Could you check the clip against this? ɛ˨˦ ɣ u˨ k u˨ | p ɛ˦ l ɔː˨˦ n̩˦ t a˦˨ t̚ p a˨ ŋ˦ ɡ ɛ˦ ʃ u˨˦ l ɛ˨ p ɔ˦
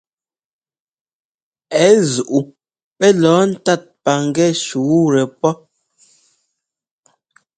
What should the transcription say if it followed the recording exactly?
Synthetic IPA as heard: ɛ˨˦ z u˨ ʔ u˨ | p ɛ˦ l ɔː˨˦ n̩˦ t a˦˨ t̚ p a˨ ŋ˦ ɡ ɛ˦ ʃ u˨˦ ɾ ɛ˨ p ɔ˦